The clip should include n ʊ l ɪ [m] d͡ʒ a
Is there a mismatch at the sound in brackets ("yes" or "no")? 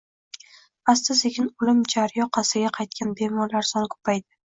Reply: no